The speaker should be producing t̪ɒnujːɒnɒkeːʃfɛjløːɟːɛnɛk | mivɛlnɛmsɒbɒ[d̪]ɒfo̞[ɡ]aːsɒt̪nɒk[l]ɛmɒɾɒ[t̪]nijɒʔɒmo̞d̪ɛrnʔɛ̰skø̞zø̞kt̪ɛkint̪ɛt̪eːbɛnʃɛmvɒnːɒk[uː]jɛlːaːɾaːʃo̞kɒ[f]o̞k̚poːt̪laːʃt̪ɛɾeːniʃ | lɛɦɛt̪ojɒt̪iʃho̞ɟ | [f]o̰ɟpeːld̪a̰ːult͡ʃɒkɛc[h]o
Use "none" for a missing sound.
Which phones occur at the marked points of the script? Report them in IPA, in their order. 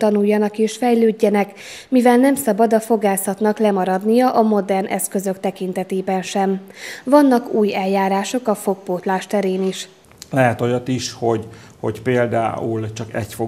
d̪, ɡ, l, d̪, uː, f, h, f

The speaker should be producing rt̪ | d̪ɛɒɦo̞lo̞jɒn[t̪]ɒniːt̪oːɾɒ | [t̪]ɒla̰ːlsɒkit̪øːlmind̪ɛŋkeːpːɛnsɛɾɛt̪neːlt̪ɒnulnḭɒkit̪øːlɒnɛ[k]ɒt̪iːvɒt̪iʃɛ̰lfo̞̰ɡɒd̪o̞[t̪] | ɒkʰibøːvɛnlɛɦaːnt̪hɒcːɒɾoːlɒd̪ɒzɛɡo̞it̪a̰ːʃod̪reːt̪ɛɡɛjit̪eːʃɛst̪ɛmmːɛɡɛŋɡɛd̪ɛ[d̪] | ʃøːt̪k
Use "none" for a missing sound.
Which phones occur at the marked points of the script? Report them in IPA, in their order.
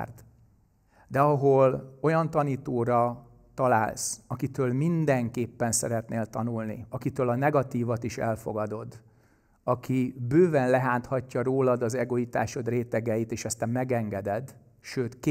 t̪, t̪, ɡ, d̪, d̪

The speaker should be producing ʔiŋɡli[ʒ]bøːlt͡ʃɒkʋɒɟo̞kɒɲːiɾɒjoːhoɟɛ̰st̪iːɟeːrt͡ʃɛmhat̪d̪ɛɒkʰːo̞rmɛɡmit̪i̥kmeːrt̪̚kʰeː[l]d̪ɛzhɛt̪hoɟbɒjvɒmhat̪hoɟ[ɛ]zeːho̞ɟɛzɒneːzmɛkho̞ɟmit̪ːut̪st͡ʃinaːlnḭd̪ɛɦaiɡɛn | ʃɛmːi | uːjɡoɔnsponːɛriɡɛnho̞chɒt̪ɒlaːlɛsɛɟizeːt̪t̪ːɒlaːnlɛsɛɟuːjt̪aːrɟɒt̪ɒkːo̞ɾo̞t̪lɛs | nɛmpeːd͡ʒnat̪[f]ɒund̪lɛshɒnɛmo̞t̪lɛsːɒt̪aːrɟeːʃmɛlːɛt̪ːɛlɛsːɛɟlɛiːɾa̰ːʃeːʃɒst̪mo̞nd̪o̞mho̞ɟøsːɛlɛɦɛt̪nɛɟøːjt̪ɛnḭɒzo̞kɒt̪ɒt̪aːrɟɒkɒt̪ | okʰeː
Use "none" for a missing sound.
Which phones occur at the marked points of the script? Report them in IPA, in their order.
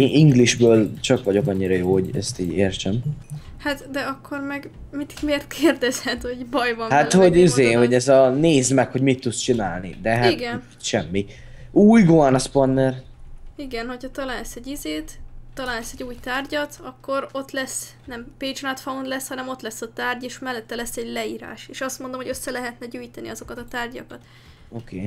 ʒ, r, i, f

